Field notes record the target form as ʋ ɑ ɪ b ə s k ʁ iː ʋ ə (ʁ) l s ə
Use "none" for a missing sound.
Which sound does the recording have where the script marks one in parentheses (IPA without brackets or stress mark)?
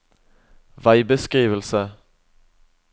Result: none